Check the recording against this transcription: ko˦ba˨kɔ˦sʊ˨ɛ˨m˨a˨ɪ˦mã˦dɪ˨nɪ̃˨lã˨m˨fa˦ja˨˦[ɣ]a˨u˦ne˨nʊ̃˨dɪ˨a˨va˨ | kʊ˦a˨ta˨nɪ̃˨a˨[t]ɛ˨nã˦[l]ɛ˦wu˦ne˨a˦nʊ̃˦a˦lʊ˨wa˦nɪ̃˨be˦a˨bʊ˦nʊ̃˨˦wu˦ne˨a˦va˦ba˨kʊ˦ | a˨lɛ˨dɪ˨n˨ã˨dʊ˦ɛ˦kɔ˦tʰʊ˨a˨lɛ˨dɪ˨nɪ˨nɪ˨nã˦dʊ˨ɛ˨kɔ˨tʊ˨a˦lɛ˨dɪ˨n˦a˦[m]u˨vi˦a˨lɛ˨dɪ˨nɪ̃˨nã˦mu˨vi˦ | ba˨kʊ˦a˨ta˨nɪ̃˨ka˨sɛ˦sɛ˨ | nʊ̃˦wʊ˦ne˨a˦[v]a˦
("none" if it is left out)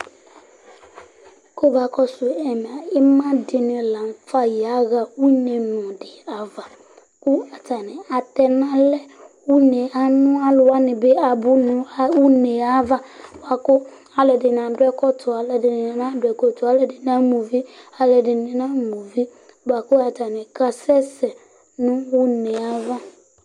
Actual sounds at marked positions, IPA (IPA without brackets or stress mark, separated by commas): ɣ, t, l, m, v